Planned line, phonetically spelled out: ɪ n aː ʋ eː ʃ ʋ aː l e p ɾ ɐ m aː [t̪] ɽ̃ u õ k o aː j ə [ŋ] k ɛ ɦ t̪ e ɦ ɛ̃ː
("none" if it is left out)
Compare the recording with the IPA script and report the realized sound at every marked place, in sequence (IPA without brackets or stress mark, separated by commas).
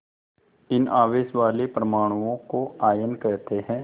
none, n